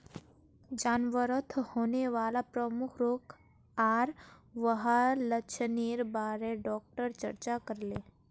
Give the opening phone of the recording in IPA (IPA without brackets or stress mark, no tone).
d͡ʒ